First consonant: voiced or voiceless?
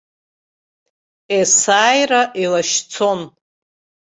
voiceless